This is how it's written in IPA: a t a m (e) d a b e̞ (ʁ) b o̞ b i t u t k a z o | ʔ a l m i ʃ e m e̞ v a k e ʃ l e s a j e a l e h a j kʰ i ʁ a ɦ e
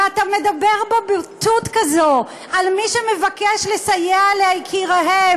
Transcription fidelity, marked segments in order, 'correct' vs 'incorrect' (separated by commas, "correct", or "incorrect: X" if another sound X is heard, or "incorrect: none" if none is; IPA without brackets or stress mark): correct, correct